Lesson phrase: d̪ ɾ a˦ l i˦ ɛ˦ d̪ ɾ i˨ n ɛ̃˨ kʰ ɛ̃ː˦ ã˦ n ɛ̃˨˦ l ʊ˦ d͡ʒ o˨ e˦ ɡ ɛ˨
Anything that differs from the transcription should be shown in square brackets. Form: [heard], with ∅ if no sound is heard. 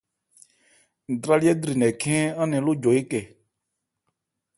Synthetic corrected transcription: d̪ ɾ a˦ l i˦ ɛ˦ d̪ ɾ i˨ n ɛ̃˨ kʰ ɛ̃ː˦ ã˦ n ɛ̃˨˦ l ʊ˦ d͡ʒ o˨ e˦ [k] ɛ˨